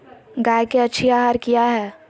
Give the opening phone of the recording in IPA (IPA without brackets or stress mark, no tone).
ɡ